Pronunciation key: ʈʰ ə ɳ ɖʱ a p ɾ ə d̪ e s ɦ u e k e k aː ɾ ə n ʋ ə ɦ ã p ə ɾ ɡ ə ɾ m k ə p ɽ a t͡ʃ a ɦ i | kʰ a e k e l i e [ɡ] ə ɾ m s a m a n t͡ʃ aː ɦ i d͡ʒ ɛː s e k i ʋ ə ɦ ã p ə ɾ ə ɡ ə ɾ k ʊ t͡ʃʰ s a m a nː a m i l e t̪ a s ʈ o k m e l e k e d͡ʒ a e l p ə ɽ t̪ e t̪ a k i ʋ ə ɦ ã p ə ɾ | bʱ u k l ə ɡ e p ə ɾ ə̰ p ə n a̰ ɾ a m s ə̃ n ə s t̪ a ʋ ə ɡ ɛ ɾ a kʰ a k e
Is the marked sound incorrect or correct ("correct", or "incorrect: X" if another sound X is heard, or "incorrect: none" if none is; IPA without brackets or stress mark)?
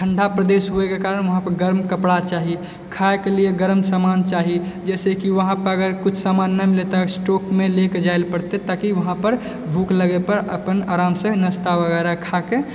correct